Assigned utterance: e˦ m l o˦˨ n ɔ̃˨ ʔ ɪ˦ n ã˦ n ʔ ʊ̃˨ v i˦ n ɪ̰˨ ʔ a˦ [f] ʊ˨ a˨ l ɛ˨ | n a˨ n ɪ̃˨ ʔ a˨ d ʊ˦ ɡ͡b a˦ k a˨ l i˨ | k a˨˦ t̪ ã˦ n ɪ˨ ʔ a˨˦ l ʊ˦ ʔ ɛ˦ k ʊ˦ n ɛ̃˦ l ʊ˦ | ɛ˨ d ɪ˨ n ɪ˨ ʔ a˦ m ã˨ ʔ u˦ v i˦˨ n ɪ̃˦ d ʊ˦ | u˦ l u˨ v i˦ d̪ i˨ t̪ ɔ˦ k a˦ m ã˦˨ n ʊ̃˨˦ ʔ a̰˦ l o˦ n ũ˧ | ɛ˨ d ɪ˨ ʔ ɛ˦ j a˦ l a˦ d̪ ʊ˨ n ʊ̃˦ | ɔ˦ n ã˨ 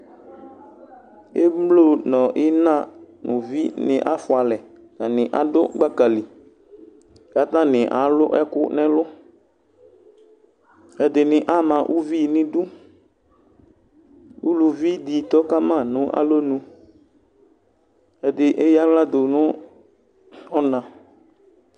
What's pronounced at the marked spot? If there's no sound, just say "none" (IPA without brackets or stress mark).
f